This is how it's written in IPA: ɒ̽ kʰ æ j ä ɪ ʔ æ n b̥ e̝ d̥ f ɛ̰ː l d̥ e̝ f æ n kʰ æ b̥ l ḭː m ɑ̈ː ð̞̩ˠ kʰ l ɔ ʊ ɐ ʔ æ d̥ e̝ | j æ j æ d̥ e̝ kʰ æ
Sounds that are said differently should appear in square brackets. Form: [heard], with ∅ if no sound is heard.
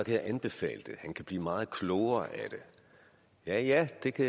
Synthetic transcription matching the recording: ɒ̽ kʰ æ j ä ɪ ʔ æ n b̥ e̝ [∅] f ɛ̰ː l d̥ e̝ [h] æ n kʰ æ b̥ l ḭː m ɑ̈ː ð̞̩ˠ kʰ l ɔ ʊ ɐ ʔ æ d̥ e̝ | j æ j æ d̥ e̝ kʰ æ